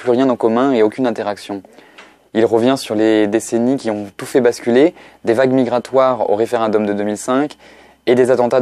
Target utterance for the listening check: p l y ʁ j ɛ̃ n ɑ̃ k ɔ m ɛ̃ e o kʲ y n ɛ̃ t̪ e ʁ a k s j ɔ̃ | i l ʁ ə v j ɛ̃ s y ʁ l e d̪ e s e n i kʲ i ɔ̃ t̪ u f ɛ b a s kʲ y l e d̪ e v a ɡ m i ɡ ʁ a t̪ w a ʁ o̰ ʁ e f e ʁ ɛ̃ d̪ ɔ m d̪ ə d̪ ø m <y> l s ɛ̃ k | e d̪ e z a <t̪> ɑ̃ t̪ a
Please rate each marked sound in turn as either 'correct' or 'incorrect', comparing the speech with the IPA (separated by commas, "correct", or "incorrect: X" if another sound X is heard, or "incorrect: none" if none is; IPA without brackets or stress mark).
incorrect: i, correct